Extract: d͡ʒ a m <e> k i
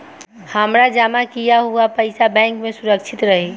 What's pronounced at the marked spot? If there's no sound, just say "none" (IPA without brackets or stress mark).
a